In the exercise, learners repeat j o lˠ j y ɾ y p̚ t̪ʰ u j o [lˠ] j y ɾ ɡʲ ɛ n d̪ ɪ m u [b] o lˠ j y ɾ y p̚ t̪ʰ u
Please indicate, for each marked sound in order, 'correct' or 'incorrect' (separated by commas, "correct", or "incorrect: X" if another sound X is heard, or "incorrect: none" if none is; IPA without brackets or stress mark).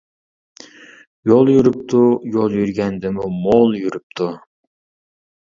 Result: correct, incorrect: m